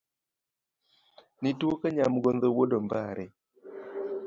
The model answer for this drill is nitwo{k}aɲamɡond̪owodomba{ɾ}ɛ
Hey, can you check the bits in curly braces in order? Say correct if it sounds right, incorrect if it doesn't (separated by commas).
correct, correct